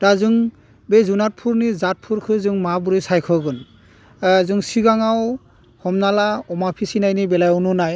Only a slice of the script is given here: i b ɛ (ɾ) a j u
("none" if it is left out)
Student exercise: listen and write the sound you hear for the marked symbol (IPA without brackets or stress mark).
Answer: l